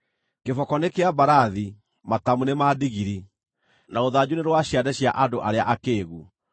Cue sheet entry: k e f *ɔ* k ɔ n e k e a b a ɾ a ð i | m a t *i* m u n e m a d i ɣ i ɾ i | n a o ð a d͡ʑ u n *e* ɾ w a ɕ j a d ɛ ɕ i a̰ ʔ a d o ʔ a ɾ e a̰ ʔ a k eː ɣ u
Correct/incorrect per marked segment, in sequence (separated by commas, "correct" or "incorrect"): correct, incorrect, correct